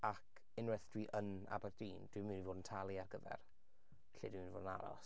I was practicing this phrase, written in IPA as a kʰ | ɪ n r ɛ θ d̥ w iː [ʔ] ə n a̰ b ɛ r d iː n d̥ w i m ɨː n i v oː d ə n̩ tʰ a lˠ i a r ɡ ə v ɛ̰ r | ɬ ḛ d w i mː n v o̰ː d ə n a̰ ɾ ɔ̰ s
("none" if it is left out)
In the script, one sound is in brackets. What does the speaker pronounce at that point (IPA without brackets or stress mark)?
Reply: ʔ